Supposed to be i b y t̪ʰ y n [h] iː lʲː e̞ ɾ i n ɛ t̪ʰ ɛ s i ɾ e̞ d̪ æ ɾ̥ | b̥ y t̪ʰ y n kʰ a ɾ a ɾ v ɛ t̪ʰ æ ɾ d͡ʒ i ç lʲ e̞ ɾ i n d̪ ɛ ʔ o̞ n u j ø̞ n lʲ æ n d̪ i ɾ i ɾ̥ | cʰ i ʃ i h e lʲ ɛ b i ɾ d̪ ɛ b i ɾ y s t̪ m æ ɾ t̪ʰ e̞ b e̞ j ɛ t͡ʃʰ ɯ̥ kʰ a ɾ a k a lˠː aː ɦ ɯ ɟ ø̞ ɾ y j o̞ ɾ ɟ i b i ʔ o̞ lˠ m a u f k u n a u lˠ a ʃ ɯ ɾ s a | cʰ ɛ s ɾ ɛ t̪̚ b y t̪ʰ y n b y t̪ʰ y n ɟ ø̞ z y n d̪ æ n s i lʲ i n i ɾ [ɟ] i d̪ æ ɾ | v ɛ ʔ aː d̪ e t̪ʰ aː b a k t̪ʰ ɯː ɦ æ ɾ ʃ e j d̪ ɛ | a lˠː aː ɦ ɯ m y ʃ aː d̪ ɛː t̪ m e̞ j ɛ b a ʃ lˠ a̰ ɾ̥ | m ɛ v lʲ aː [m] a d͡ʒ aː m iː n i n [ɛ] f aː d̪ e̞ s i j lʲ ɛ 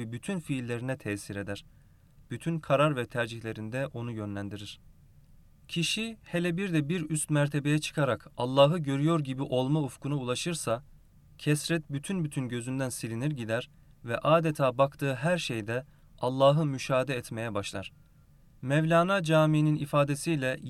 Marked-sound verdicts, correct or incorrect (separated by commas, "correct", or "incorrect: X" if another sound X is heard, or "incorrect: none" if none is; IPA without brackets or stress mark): incorrect: f, correct, incorrect: n, incorrect: i